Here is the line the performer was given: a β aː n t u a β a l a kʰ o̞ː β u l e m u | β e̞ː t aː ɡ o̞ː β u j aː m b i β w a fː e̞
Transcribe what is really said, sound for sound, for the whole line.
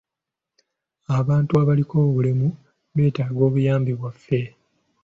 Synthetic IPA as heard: a β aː n t u a β a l i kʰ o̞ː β u l e m u | β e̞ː t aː ɡ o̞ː β u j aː m b i β w a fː e̞